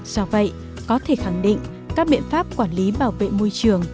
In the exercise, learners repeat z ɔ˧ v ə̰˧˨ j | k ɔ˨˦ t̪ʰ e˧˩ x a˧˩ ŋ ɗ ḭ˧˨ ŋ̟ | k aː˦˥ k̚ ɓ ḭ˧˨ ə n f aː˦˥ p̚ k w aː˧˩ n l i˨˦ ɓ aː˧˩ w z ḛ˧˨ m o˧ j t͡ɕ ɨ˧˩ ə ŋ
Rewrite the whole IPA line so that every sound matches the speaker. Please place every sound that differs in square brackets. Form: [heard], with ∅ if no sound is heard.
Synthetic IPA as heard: z ɔ˧ v ə̰˧˨ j | k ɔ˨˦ t̪ʰ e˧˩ x a˧˩ ŋ ɗ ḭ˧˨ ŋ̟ | k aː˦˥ k̚ ɓ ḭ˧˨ ə n f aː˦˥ p̚ k w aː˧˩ n l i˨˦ ɓ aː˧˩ w [v] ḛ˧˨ m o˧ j t͡ɕ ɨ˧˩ ə ŋ